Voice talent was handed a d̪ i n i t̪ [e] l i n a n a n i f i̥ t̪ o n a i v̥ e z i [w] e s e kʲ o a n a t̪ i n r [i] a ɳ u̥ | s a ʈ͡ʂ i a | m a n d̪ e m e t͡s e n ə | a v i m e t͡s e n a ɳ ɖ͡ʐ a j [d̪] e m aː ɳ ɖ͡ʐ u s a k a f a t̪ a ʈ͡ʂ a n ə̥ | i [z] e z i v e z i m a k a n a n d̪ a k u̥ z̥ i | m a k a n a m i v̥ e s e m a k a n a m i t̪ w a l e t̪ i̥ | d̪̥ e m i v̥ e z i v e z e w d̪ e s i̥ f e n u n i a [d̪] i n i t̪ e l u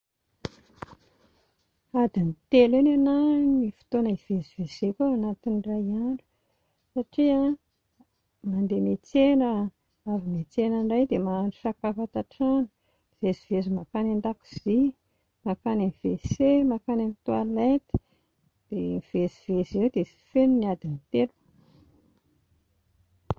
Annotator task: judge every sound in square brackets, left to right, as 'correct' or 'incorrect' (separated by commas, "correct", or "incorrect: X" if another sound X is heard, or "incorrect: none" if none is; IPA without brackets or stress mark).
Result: correct, incorrect: v, incorrect: a, correct, incorrect: v, correct